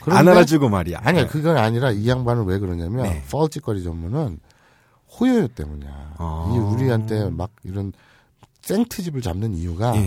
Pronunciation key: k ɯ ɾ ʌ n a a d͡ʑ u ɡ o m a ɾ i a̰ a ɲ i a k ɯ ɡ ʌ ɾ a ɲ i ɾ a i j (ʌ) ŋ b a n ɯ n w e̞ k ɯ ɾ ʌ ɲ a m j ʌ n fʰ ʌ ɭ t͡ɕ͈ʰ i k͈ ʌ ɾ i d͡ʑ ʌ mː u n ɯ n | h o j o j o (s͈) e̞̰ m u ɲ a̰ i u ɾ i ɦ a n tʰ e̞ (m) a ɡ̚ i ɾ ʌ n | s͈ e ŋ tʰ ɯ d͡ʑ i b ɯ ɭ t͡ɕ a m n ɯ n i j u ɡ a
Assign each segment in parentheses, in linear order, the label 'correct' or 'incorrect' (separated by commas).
incorrect, incorrect, correct